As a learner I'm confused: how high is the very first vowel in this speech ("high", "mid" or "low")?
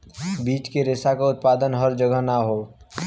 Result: high